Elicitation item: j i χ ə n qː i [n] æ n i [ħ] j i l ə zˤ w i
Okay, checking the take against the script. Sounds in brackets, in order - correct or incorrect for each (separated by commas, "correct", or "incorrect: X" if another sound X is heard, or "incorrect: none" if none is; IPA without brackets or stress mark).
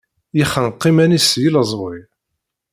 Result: incorrect: m, incorrect: s